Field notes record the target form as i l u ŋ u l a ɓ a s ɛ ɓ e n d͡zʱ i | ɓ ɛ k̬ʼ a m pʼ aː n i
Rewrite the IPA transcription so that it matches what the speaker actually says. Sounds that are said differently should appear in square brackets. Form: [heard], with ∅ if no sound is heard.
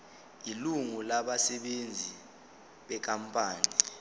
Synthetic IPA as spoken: i l u ŋ u l a ɓ a s ɛ ɓ e n d͡zʱ i | ɓ ɛ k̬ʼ a m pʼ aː n i